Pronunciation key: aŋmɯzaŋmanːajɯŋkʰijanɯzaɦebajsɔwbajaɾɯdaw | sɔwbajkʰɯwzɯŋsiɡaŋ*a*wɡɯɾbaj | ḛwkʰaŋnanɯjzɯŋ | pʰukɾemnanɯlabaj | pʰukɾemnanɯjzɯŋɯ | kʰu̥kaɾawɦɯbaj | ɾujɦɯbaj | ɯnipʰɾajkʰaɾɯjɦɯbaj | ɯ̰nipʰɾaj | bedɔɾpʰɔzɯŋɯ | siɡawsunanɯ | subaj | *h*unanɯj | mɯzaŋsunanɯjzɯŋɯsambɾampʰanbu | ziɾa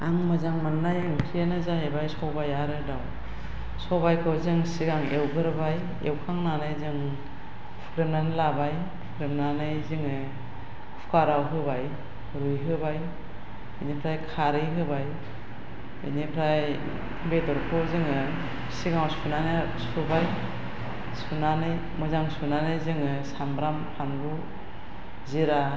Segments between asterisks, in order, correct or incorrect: incorrect, incorrect

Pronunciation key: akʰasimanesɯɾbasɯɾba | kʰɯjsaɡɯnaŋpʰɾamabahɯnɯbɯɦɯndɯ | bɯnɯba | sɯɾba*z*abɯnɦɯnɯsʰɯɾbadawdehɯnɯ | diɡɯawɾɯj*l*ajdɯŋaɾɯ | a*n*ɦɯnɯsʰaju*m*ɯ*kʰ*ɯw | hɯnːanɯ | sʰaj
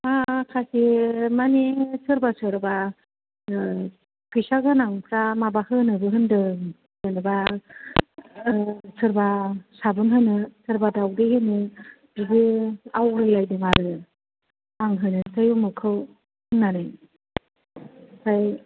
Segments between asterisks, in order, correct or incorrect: incorrect, correct, incorrect, correct, correct

